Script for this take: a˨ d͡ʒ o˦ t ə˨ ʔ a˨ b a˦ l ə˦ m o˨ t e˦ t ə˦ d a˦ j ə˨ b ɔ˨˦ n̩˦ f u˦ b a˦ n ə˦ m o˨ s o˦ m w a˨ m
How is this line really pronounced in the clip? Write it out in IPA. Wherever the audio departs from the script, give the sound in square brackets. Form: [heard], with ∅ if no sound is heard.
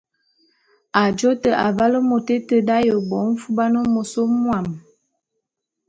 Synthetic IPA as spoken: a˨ d͡ʒ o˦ t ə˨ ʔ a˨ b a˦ l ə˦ m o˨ t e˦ t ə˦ d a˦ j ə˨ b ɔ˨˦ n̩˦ f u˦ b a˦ n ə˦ m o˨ s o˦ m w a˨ m